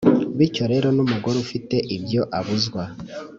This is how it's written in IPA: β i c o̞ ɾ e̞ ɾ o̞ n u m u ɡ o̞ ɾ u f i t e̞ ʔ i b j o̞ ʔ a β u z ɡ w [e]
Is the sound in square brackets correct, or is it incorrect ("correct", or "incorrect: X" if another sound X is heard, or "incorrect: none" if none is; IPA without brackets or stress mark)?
incorrect: a